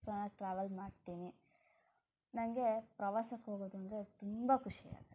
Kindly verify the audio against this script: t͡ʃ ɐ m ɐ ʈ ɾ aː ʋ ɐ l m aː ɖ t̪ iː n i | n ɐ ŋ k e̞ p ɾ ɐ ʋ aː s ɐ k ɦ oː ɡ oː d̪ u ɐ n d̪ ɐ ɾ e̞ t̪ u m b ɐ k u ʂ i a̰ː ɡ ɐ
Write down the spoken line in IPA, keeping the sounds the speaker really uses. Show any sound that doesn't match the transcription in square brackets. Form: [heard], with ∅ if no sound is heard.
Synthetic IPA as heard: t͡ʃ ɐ [n] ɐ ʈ ɾ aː ʋ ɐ l m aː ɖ t̪ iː n i | n ɐ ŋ [ɡ] e̞ p ɾ ɐ ʋ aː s ɐ k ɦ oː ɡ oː d̪ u ɐ n d̪ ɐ ɾ e̞ t̪ u m b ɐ k u ʂ i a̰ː ɡ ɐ